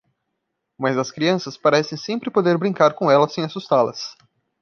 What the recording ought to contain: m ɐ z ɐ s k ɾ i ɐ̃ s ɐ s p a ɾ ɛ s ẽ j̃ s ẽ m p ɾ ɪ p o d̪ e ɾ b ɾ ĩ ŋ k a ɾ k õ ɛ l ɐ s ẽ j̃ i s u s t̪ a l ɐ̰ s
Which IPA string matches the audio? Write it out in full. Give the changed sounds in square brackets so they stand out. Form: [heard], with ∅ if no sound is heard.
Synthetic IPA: m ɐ z ɐ s k ɾ i ɐ̃ s ɐ s p a ɾ ɛ s ẽ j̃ s ẽ m p ɾ ɪ p o d̪ e ɾ b ɾ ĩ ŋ k a ɾ k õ ɛ l ɐ s ẽ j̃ [a] s u s t̪ a l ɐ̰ s